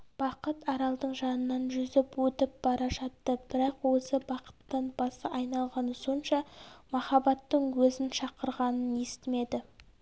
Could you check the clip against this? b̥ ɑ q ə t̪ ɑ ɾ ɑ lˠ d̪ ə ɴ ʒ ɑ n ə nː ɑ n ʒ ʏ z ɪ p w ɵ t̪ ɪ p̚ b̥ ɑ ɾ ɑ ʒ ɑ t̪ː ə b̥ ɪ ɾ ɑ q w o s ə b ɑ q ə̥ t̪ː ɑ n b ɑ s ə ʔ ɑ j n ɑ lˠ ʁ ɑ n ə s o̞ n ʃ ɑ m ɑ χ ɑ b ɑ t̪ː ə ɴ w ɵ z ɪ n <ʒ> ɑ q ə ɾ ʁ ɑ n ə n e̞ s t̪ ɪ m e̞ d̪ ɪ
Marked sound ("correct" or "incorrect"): incorrect